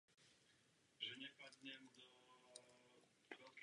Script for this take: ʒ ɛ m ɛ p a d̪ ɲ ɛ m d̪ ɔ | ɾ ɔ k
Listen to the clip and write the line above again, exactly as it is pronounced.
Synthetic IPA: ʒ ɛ ɲ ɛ p a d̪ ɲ ɛ m d̪ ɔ | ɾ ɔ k

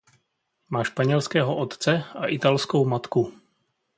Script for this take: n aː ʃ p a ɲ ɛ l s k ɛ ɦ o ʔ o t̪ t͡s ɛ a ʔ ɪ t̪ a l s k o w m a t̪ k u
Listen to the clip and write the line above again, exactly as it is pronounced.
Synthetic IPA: m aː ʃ p a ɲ ɛ l s k ɛː ɦ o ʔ o t̪ t͡s ɛ a ʔ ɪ t̪ a l s k o w m a t̪ k u

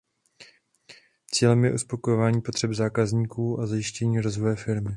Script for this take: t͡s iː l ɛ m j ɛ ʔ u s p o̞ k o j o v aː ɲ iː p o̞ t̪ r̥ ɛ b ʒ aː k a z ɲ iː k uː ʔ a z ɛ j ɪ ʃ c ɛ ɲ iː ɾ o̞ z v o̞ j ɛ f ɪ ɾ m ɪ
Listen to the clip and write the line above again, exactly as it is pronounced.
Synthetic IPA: t͡s iː l ɛ m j ɛ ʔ u s p o̞ k o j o v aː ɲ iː p o̞ t̪ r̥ ɛ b z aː k a z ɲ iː k uː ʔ a z a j ɪ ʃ c ɛ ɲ iː ɾ o̞ z v o̞ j ɛ f ɪ ɾ m ɪ

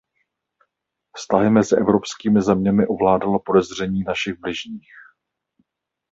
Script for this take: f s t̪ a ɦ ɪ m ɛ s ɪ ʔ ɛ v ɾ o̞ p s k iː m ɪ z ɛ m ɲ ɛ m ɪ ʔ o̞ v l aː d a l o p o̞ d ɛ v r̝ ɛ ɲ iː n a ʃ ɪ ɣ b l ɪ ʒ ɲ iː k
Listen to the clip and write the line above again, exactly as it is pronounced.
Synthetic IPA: f s t̪ a ɦ ɪ m ɛ z ɪ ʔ ɛ v ɾ o̞ p s k iː m ɪ z ɛ m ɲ ɛ m ɪ ʔ o̞ v l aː d a l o p o̞ d ɛ z r̝ ɛ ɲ iː n a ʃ ɪ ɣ b l ɪ ʒ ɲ iː x

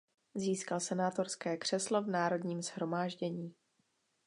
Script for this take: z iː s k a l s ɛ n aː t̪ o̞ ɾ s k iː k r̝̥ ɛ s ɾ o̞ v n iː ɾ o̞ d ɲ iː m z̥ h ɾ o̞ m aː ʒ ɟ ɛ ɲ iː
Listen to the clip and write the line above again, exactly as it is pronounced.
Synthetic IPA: z iː s k a l s ɛ n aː t̪ o̞ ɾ s k ɛː k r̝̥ ɛ s l o̞ v n aː ɾ o̞ d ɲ iː m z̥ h ɾ o̞ m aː ʒ ɟ ɛ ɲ iː

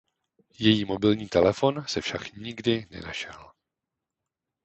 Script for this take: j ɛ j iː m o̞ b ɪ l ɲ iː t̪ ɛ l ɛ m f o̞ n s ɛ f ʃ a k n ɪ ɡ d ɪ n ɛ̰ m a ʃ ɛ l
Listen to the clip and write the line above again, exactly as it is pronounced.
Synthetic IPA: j ɛ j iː m o̞ b ɪ l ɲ iː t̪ ɛ l ɛ f o̞ n s ɛ f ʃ a k ɲ ɪ ɡ d ɪ n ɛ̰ n a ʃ ɛ l

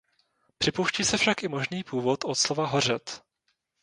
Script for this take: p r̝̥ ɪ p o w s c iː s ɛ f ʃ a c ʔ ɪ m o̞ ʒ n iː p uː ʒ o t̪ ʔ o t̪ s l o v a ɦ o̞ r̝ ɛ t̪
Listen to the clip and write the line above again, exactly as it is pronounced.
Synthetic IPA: p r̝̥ ɪ p o w ʃ c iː s ɛ f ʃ a k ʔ ɪ m o̞ ʒ n iː p uː v o t̪ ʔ o t̪ s l o v a ɦ o̞ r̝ ɛ t̪

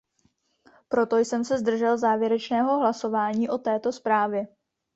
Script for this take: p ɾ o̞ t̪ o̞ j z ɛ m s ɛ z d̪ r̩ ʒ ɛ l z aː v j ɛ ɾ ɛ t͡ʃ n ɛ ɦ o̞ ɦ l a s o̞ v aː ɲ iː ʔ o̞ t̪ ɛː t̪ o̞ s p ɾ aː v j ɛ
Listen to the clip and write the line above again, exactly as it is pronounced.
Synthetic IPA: p ɾ o̞ t̪ o̞ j s ɛ m s ɛ z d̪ r̩ ʒ ɛ l z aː v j ɛ ɾ ɛ t͡ʃ n ɛː ɦ o̞ ɦ l a s o̞ v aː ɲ iː ʔ o̞ t̪ ɛː t̪ o̞ s p ɾ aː v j ɛ

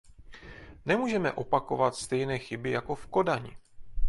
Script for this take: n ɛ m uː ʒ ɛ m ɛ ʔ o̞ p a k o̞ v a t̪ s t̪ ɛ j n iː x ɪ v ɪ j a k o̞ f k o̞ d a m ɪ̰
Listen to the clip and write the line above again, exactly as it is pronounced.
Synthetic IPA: n ɛ m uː ʒ ɛ m ɛ ʔ o̞ p a k o̞ v a t̪ s t̪ ɛ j n ɛː x ɪ b ɪ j a k o̞ f k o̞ d a ɲ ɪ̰

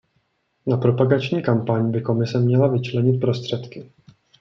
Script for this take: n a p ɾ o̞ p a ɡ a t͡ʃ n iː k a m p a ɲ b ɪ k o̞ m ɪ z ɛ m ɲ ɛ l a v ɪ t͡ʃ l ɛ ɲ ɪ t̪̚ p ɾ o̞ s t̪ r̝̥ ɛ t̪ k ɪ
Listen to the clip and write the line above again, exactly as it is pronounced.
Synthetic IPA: n a p ɾ o̞ p a ɡ a t͡ʃ ɲ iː k a m p a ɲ b ɪ k o̞ m ɪ s ɛ m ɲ ɛ l a v ɪ t͡ʃ l ɛ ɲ ɪ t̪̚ p ɾ o̞ s t̪ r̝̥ ɛ t̪ k ɪ

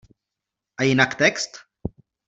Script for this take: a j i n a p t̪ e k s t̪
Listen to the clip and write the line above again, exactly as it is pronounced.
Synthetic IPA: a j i n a k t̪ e k s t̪

